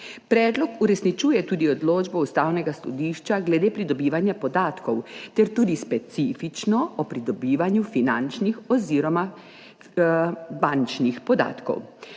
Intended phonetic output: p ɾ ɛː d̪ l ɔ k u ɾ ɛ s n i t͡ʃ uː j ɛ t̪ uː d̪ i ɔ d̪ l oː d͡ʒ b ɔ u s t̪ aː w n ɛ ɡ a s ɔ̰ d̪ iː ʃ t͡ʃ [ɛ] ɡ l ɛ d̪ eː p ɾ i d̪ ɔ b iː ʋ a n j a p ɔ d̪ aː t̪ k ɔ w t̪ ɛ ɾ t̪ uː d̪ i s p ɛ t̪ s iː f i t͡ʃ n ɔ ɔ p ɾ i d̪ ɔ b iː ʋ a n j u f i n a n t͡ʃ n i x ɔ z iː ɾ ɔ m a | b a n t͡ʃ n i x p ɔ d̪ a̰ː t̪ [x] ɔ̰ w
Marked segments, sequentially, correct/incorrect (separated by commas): incorrect, incorrect